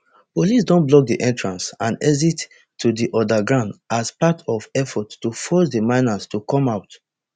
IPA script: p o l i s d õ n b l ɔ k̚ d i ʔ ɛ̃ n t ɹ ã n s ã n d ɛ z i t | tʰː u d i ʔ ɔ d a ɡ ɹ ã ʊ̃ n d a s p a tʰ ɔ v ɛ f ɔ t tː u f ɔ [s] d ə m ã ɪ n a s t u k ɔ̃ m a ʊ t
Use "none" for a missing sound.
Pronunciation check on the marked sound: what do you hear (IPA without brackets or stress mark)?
s